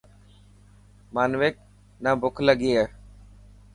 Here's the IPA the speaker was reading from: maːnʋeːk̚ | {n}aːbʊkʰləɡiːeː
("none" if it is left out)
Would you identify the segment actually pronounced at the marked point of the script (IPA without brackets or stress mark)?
n